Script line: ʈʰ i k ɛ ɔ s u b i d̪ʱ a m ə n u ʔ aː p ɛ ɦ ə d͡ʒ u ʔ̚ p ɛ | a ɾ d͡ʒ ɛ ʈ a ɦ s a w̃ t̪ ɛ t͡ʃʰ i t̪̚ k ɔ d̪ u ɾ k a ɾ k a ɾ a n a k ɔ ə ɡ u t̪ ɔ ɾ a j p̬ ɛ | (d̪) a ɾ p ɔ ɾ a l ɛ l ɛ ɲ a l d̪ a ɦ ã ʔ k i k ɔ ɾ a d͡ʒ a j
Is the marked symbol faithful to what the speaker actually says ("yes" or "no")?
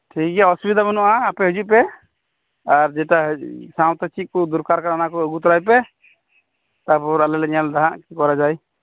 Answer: no